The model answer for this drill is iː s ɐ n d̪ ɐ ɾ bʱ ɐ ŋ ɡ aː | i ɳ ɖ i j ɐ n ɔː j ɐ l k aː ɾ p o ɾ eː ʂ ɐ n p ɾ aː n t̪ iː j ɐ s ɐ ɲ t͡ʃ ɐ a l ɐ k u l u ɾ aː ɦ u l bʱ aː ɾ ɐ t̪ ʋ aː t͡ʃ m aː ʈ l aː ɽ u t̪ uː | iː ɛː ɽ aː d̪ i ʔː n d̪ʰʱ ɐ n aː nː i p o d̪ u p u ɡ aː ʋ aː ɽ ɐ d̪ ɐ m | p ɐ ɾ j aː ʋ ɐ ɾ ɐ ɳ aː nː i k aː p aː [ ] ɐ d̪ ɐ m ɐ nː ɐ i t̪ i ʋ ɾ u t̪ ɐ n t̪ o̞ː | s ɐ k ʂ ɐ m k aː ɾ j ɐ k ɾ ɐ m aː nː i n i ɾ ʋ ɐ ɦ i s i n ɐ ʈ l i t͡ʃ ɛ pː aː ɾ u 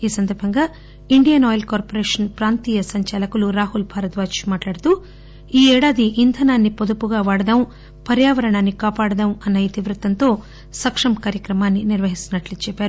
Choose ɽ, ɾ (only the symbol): ɽ